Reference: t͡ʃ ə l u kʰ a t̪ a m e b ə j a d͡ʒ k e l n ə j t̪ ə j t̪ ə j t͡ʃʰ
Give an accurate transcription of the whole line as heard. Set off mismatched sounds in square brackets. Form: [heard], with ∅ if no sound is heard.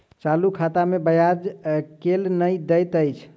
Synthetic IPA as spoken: t͡ʃ [a] l u kʰ a t̪ a m e b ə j a d͡ʒ k e l n ə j [d̪] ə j t̪ ə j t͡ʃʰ

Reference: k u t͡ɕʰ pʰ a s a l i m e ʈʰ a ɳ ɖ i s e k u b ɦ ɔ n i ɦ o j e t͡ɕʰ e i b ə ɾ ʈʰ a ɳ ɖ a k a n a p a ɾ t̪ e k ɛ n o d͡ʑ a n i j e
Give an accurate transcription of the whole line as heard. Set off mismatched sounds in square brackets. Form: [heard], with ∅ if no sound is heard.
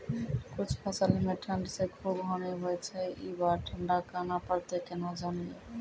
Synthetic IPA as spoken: k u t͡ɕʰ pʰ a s a l i m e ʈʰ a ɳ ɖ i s e [kʰ] u b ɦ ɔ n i ɦ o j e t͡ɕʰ e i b [a] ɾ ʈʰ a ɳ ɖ a k a n a p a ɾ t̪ e k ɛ n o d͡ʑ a n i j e

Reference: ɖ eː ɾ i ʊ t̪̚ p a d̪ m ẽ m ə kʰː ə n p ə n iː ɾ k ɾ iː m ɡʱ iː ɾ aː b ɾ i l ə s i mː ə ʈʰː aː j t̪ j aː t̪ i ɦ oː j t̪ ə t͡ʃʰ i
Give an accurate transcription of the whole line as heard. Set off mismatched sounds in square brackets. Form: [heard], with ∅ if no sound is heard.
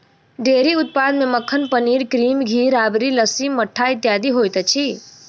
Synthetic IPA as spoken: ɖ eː ɾ i ʊ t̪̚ p a d̪ m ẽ m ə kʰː ə n p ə n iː ɾ k ɾ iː m ɡʱ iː ɾ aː b ɾ i l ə s i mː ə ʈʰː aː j t̪ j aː [d̪] i ɦ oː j t̪ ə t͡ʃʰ i

